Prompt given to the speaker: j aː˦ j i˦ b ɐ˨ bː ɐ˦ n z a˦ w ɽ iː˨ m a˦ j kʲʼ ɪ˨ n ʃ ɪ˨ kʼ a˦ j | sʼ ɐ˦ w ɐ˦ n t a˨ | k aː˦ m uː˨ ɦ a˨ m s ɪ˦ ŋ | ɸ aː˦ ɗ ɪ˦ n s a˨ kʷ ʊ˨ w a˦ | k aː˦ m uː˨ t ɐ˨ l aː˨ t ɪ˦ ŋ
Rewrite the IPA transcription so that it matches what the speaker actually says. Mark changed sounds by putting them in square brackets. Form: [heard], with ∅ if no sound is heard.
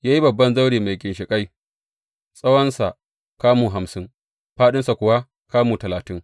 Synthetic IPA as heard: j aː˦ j i˦ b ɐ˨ bː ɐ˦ n z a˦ w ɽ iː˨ m [a˨] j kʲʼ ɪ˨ n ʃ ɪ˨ kʼ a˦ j | sʼ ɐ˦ w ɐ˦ n [s] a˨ | k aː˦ m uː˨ ɦ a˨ m s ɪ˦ ŋ | ɸ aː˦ ɗ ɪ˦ n s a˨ kʷ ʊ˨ w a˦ | k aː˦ m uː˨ t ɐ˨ l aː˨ t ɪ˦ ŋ